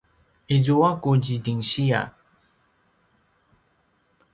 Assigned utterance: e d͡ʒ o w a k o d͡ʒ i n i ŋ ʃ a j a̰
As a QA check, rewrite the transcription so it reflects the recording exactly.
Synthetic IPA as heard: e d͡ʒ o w a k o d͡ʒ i d i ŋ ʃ i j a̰